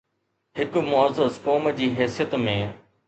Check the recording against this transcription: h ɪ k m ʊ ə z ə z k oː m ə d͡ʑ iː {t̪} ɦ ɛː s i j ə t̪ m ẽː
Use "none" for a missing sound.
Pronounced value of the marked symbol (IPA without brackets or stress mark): none